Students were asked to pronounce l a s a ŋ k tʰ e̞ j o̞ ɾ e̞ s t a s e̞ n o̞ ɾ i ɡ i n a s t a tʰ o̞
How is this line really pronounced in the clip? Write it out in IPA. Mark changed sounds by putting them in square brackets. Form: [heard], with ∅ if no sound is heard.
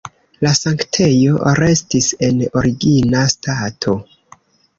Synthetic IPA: l a s a ŋ k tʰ e̞ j o̞ ɾ e̞ s t [i] s e̞ n o̞ ɾ i ɡ i n a s t a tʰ o̞